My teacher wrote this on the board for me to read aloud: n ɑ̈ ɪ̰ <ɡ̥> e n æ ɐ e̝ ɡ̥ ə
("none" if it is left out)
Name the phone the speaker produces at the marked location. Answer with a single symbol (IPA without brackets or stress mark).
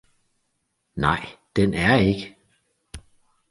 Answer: d̥